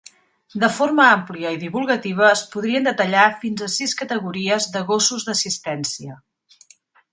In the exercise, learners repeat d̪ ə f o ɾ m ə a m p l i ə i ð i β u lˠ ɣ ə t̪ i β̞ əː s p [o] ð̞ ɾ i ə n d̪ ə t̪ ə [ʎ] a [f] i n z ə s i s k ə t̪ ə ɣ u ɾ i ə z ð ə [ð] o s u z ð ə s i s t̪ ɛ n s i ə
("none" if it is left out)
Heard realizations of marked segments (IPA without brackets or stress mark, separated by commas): u, ʎ, f, ɣ